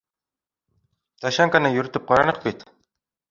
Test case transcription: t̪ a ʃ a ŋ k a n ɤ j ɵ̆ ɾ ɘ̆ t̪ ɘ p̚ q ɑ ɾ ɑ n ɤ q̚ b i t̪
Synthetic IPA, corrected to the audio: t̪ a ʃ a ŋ k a n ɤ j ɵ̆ ɾ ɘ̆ t̪ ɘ p̚ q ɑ ɾ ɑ n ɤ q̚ b i t̪